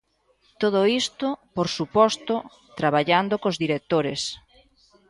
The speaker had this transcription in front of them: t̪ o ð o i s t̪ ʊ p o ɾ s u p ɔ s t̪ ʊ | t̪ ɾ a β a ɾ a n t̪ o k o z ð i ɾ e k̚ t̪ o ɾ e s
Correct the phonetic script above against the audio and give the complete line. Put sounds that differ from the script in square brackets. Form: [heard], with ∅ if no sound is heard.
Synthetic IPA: t̪ o ð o i s t̪ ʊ p o ɾ s u p ɔ s t̪ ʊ | t̪ ɾ a β a [ʎ] a n [d̪] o k o z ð i ɾ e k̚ t̪ o ɾ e s